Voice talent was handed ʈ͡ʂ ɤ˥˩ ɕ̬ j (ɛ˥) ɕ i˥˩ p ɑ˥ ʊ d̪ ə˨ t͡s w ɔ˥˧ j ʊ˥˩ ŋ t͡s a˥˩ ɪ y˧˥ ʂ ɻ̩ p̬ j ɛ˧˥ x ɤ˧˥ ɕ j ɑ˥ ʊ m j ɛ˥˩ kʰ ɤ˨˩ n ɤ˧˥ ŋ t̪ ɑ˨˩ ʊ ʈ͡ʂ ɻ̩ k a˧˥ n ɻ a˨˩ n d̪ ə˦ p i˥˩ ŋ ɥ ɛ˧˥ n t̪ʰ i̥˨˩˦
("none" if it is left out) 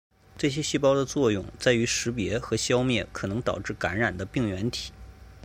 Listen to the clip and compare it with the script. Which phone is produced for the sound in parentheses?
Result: ɛ˥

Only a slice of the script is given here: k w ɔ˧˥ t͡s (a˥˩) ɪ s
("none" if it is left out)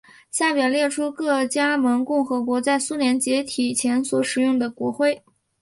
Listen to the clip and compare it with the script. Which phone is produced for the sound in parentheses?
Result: a˥˩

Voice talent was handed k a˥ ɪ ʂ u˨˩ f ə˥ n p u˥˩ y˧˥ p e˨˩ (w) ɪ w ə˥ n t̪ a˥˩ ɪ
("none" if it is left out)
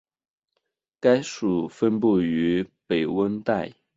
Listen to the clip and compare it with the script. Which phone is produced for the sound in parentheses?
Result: none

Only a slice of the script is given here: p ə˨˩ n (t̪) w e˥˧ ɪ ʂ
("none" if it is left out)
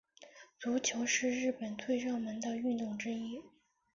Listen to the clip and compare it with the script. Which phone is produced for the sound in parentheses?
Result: t̪ʰ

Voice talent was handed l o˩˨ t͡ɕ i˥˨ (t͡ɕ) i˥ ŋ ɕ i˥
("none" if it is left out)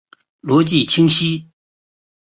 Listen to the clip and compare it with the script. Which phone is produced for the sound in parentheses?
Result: t͡ɕʰ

